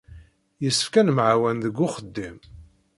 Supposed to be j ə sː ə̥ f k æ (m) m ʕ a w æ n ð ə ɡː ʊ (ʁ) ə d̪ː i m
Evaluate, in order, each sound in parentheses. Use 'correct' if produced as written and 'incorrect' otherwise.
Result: incorrect, incorrect

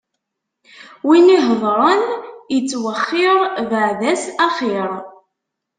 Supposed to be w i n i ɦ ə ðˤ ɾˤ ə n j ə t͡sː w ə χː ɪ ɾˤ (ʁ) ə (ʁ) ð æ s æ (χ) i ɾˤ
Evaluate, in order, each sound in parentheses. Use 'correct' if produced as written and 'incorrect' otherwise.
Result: incorrect, incorrect, correct

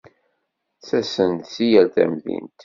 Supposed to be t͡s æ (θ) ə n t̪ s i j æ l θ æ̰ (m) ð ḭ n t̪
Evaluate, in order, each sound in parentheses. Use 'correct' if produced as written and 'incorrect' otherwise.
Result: incorrect, correct

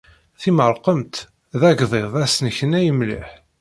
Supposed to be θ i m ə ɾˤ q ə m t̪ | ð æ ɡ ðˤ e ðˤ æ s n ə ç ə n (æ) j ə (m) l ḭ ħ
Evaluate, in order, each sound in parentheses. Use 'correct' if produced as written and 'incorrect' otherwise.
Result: correct, correct

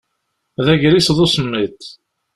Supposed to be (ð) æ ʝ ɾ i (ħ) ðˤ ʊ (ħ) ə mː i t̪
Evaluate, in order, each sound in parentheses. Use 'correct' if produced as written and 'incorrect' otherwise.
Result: correct, incorrect, incorrect

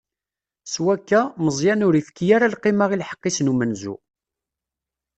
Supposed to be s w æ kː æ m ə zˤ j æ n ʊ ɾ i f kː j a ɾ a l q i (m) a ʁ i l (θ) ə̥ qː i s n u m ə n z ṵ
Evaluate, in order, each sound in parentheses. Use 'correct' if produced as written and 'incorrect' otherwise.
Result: correct, incorrect

